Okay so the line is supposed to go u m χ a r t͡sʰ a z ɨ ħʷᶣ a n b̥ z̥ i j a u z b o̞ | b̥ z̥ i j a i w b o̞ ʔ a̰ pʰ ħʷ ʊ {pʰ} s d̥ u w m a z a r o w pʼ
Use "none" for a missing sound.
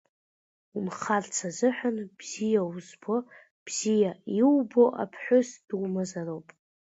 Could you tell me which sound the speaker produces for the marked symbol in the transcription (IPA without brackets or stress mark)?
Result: none